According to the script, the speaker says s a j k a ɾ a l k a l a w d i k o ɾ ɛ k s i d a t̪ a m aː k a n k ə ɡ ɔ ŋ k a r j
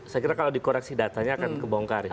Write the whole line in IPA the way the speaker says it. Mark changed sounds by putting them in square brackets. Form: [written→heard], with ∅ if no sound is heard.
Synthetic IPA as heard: s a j k [a→i] ɾ a [l→∅] k a l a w d i k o ɾ ɛ k s i d a t̪ a [m→ɲ] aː k a n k ə [ɡ→b] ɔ ŋ k a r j